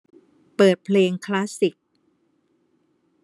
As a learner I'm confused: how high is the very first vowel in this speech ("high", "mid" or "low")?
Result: mid